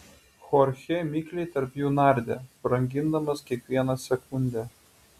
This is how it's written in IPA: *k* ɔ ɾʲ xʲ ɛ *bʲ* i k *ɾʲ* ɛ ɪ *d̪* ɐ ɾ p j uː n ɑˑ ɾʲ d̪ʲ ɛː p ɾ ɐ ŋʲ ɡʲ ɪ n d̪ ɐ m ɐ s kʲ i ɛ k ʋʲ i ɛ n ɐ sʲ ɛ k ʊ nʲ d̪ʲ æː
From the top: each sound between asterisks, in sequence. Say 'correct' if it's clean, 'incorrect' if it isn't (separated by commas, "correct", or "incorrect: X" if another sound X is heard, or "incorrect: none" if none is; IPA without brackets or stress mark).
incorrect: x, incorrect: mʲ, incorrect: lʲ, incorrect: t̪